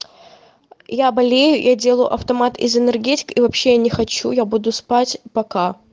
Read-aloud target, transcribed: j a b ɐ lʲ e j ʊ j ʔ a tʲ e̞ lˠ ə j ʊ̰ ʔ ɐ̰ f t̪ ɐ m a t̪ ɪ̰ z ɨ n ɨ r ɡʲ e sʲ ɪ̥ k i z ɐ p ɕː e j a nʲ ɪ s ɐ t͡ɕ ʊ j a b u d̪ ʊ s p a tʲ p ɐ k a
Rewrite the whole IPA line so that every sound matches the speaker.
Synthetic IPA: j a b ɐ lʲ e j ʊ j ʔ a dʲ e̞ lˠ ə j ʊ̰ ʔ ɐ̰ f t̪ ɐ m a t̪ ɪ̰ z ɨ n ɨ r ɡʲ e tʲ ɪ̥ k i v ɐ p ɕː e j a nʲ ɪ x ɐ t͡ɕ u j a b u d̪ ʊ s p a tʲ p ɐ k a